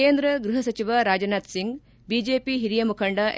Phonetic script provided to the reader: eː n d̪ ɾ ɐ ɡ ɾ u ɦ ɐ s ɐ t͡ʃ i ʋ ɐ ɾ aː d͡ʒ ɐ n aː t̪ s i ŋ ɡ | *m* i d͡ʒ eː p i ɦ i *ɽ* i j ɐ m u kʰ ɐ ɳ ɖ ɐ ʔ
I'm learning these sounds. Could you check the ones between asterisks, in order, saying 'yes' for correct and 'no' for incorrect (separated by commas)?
no, no